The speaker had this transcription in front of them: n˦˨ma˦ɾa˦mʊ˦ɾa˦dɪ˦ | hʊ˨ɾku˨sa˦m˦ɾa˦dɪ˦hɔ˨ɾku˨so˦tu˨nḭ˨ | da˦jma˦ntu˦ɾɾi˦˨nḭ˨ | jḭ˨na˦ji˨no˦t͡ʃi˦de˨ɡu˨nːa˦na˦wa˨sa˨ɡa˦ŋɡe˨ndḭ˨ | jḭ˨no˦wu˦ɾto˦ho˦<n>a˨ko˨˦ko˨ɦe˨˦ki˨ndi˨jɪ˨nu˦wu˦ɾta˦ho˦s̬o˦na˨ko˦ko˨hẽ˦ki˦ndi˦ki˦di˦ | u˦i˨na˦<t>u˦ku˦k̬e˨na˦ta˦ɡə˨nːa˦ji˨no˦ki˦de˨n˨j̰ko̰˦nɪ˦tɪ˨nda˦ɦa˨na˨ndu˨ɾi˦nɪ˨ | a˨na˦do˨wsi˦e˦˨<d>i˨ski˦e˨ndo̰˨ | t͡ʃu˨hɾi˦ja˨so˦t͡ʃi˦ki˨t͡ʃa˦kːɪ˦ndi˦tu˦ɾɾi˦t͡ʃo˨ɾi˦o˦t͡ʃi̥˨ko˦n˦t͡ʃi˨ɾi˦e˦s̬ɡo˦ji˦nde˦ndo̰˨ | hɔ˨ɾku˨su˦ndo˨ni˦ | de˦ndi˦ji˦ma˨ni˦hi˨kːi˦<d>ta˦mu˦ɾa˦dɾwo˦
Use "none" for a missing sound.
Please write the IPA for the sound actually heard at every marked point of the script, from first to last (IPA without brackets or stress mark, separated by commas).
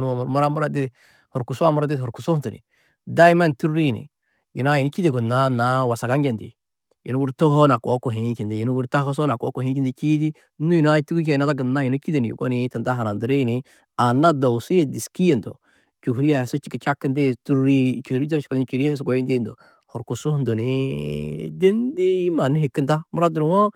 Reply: n, t, d, n